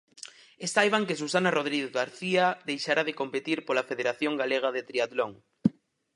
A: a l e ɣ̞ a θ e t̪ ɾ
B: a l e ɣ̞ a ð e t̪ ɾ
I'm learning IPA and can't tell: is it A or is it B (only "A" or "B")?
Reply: B